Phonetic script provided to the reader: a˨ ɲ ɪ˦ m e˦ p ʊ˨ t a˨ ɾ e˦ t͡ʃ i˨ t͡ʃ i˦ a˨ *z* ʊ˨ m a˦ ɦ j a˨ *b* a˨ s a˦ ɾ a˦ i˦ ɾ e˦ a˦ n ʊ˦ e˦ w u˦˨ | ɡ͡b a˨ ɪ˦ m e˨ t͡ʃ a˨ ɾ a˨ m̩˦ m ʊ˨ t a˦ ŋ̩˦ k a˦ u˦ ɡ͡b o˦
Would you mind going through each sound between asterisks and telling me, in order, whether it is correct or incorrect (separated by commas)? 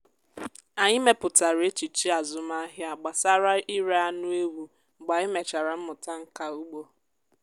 correct, incorrect